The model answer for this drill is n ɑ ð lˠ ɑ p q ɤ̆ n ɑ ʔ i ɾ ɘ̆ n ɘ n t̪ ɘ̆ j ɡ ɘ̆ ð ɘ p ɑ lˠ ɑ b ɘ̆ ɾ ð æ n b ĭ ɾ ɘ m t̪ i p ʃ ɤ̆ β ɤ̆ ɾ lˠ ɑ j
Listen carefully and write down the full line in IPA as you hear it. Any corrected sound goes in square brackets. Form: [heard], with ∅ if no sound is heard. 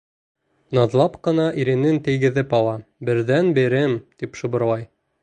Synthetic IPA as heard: n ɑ ð lˠ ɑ p q ɤ̆ n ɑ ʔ i ɾ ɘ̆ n ɘ n t̪ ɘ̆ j ɡ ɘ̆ ð ɘ p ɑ lˠ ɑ b ɘ̆ ɾ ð æ n b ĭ ɾ ɘ m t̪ i p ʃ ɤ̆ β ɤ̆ ɾ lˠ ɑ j